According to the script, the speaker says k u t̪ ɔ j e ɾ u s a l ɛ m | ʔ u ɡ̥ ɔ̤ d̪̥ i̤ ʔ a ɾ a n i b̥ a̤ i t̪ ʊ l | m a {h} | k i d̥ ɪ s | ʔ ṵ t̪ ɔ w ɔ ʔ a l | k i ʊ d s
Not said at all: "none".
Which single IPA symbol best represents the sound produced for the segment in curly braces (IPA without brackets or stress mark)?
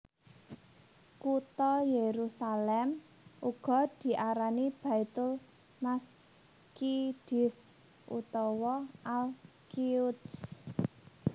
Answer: s